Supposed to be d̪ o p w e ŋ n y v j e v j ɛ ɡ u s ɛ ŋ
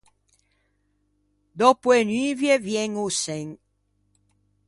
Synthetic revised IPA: d̪ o p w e n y v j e v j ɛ ŋ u s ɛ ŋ